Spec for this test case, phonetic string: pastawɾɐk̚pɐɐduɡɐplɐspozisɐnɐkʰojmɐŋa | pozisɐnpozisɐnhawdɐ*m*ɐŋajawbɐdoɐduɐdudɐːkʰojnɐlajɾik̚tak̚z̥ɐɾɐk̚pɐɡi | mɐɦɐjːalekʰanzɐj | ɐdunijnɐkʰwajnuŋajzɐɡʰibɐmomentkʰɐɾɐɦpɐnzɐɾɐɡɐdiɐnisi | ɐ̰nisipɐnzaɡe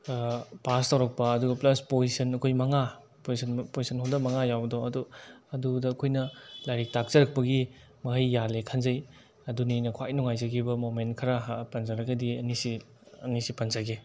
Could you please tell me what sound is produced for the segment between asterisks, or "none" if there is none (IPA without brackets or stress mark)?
m